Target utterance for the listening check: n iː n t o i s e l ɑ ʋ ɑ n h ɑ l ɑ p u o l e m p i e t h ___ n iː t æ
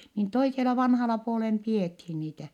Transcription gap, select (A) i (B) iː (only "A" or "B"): A